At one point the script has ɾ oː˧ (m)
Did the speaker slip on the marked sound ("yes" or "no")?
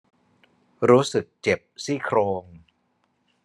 yes